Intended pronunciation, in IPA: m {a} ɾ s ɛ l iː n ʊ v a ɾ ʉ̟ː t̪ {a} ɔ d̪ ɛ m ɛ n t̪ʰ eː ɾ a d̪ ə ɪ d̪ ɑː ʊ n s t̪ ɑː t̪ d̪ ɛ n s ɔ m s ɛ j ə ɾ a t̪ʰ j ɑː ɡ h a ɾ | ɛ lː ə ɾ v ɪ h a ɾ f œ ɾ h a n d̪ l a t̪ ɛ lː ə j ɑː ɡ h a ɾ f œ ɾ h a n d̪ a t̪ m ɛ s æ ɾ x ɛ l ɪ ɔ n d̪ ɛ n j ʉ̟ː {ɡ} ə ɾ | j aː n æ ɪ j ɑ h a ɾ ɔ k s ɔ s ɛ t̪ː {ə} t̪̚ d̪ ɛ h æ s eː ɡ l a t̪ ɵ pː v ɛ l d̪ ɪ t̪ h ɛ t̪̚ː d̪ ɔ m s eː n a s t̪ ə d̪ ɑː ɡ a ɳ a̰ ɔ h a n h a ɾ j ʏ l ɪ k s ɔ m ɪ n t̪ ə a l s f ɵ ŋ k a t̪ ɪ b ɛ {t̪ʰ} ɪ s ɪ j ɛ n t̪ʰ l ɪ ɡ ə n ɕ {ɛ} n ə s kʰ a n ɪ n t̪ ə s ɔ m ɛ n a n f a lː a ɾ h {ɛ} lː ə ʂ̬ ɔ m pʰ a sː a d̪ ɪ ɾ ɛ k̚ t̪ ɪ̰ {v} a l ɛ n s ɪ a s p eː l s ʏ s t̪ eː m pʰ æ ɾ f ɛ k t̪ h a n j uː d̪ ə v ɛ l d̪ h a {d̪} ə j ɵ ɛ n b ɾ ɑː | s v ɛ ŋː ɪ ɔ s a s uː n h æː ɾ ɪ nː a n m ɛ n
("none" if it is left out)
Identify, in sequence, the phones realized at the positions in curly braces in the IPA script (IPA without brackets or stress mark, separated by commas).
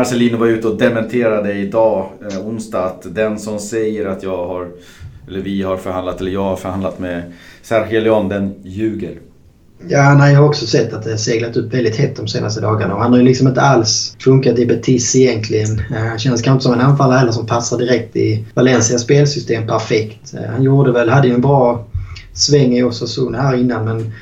a, ə, ɡ, a, t̪ʰ, ɛ, ɛ, v, d̪ː